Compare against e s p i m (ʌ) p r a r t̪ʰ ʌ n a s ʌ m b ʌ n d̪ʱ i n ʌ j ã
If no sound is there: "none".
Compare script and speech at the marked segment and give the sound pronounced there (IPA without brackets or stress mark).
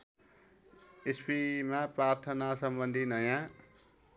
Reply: a